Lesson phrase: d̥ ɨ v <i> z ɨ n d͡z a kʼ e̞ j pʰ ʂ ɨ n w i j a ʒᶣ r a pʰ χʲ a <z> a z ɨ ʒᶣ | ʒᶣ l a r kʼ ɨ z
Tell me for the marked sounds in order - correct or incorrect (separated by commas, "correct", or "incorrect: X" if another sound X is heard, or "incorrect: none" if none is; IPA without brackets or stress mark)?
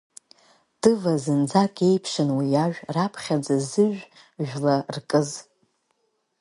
incorrect: a, incorrect: d͡z